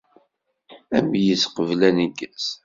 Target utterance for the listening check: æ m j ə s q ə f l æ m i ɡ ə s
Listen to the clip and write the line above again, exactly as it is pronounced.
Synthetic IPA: æ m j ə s q ə v l æ n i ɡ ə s